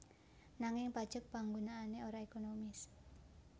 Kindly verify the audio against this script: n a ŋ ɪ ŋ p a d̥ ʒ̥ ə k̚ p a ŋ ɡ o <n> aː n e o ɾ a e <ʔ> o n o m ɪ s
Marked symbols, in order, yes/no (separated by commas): yes, no